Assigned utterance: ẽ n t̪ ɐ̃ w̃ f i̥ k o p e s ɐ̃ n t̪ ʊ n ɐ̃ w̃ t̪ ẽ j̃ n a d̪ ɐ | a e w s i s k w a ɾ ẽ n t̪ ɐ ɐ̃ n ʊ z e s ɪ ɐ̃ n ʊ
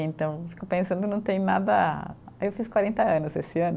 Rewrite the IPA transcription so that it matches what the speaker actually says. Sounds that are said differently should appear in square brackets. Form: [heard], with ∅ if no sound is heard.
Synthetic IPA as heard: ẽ n t̪ ɐ̃ w̃ f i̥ k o p [ẽ] s ɐ̃ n [d̪] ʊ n ɐ̃ w̃ t̪ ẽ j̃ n a d̪ ɐ | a e w [f] i s k w a ɾ ẽ n t̪ ɐ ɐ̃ n ʊ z e s ɪ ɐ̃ n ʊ